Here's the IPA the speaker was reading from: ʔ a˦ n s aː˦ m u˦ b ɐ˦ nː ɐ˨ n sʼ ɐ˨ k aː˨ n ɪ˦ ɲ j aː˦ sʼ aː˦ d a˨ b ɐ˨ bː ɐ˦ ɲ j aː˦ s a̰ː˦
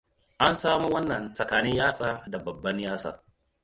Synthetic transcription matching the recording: ʔ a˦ n s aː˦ m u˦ w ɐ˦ nː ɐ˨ n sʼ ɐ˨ k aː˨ n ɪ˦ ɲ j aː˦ sʼ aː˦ d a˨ b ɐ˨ bː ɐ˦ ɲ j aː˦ s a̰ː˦